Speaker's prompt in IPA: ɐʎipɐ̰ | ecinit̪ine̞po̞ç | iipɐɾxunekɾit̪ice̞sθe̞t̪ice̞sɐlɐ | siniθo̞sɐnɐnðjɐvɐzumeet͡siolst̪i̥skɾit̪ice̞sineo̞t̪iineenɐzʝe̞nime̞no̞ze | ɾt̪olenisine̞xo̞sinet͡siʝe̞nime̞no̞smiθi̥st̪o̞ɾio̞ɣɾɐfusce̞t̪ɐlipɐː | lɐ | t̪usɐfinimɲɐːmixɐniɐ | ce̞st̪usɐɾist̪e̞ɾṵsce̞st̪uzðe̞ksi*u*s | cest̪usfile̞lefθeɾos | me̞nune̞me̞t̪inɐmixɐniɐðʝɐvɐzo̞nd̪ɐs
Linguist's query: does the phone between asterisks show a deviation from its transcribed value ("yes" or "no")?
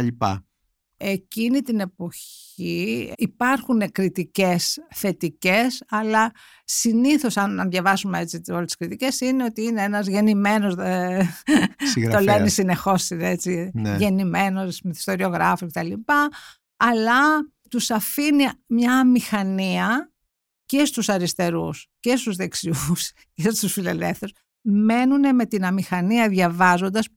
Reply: no